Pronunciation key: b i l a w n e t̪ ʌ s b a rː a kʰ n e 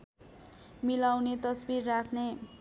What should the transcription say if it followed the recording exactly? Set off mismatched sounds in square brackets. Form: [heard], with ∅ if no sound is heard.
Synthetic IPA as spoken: [m] i l a w n e t̪ ʌ s b [i] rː a kʰ n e